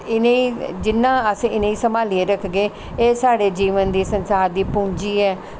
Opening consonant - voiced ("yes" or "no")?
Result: yes